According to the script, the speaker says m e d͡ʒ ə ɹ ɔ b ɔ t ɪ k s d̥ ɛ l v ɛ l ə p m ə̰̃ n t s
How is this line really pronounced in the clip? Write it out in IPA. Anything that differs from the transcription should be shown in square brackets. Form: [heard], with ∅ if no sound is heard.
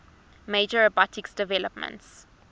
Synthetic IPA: m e d͡ʒ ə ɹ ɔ b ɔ t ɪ k s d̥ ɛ [∅] v ɛ l ə p m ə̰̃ n t s